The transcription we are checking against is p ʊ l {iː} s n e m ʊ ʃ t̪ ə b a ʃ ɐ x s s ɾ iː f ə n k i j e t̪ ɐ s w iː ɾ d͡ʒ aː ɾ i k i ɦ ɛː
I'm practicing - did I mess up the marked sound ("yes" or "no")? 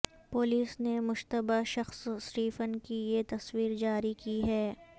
no